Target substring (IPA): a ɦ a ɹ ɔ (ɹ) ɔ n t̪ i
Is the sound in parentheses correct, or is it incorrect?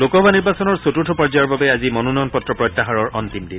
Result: correct